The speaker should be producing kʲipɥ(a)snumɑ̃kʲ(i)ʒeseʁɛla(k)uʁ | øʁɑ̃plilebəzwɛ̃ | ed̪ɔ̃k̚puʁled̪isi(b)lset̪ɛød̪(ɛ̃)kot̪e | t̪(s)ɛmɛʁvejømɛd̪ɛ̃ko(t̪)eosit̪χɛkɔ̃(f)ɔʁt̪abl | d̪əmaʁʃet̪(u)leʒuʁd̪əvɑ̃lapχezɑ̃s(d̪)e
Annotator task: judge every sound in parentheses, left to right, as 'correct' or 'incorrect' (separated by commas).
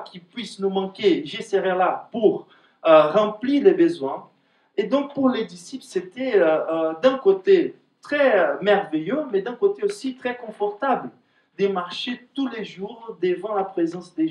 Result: incorrect, incorrect, incorrect, incorrect, correct, incorrect, correct, correct, correct, correct